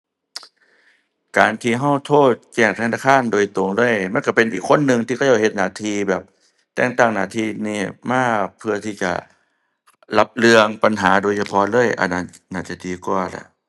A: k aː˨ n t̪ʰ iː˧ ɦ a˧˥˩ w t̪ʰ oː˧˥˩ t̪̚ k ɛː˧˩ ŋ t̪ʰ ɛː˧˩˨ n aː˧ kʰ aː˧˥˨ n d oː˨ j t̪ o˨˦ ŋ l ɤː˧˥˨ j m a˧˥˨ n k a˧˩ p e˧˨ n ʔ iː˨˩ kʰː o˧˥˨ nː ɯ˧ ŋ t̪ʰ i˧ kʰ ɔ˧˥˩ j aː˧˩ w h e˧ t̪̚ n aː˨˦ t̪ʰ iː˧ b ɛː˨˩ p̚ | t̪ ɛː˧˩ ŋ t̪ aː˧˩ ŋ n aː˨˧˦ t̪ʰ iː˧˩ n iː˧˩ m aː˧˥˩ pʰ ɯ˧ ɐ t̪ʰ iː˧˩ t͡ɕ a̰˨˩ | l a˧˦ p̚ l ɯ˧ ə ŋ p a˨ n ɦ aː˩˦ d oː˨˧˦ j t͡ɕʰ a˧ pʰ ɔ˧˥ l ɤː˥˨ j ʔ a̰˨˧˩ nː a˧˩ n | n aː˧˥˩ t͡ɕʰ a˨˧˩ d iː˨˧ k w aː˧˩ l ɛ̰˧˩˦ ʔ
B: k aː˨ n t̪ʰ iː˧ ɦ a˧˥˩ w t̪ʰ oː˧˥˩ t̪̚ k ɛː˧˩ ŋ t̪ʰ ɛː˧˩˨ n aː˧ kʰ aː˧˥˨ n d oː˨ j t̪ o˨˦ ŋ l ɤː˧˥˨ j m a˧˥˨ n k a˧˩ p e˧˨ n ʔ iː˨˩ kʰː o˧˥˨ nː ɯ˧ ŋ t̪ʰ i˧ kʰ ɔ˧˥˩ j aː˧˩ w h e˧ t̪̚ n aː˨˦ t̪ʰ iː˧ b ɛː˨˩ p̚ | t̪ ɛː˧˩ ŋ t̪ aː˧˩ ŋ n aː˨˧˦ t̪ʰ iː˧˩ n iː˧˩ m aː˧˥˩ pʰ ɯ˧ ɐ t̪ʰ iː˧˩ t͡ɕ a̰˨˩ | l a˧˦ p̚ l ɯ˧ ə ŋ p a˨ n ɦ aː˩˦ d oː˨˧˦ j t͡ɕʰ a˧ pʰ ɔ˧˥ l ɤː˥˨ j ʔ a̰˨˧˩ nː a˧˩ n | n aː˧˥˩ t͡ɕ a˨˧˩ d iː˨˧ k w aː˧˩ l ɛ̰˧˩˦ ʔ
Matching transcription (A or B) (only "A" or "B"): B